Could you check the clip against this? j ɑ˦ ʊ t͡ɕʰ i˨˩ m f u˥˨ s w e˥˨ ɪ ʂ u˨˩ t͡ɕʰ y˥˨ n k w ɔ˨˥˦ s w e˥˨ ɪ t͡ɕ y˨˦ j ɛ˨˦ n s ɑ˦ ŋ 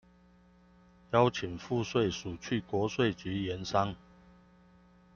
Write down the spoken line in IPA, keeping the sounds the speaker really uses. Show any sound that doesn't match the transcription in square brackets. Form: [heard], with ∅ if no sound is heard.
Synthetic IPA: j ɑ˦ ʊ t͡ɕʰ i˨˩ [ŋ] f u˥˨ s w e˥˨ ɪ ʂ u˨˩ t͡ɕʰ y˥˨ [∅] k w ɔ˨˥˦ s w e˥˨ ɪ t͡ɕ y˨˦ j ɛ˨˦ n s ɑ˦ ŋ